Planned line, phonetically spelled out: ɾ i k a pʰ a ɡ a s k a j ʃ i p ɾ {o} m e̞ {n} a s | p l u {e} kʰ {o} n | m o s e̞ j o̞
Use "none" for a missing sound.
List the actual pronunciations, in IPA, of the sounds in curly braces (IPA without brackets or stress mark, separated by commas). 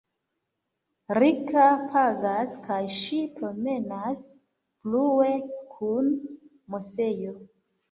o, n, e, u